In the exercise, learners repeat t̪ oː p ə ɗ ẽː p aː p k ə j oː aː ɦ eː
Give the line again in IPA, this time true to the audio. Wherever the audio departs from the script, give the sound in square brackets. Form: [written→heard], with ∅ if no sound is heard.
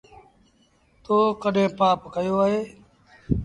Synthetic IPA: t̪ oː [p→k] ə ɗ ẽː p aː p k ə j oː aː ɦ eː